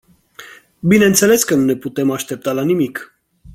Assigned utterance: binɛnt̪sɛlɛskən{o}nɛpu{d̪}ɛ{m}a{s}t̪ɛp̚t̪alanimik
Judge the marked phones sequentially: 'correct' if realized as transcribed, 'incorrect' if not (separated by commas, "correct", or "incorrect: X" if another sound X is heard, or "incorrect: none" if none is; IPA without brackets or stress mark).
incorrect: u, incorrect: t̪, correct, incorrect: ʃ